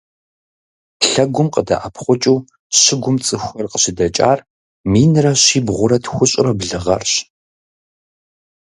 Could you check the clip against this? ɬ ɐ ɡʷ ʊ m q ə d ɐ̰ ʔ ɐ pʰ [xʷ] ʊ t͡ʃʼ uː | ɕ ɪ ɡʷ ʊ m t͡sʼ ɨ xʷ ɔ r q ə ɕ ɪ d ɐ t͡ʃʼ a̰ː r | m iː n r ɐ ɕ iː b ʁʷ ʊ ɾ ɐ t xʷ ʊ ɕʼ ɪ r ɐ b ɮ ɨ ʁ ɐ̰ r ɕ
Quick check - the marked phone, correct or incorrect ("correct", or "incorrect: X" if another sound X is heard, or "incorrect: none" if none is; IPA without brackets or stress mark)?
incorrect: χʷ